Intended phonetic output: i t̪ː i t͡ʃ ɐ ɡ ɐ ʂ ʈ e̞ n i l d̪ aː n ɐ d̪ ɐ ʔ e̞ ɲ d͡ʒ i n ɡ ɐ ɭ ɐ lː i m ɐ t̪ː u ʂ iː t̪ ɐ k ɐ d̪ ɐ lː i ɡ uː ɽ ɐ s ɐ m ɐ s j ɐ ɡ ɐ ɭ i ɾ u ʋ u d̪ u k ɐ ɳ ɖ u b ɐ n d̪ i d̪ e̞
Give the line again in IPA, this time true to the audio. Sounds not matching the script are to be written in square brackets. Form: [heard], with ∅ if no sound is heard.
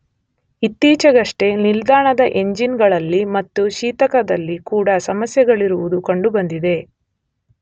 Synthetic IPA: i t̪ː [iː] t͡ʃ ɐ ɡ ɐ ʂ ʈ e̞ n i l d̪ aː [ɳ] ɐ d̪ ɐ ʔ e̞ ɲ d͡ʒ i n ɡ ɐ ɭ ɐ lː i m ɐ t̪ː u [ʃ] iː t̪ ɐ k ɐ d̪ ɐ lː i [k] uː ɽ ɐ s ɐ m ɐ s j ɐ ɡ ɐ ɭ i ɾ u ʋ u d̪ u k ɐ ɳ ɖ u b ɐ n d̪ i d̪ e̞